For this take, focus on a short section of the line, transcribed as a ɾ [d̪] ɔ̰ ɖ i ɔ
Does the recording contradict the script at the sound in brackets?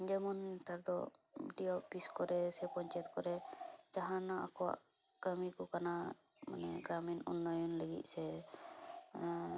no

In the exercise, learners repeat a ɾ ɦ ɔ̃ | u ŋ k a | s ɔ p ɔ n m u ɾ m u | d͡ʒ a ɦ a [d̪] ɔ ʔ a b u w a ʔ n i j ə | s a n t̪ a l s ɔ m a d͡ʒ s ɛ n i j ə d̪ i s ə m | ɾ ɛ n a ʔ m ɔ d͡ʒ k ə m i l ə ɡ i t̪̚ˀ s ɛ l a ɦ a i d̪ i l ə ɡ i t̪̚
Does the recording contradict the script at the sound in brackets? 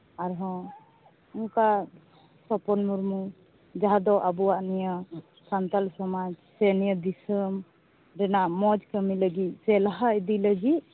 no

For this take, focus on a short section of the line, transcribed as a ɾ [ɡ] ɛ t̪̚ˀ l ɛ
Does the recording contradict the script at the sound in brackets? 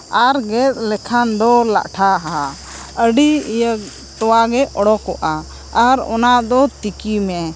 no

